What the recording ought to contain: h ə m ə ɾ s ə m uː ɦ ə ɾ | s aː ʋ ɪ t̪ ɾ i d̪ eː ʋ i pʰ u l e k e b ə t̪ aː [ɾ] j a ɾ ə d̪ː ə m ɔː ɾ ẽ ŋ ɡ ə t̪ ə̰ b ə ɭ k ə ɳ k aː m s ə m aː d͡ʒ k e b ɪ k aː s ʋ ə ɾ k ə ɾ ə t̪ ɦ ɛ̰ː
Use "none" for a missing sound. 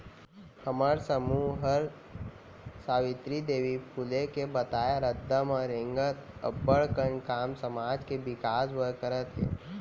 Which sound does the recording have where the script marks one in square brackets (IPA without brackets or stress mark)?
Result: none